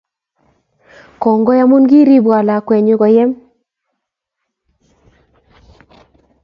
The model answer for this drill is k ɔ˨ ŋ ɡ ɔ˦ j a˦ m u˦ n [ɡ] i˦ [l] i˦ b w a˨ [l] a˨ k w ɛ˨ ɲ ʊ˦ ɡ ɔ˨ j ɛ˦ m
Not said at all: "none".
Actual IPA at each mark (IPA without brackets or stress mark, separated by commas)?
ɡ, ɾ, l